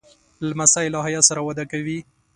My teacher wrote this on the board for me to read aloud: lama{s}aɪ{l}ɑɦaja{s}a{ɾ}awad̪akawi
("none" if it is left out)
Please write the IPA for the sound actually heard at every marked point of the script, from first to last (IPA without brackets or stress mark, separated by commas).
s, l, s, ɾ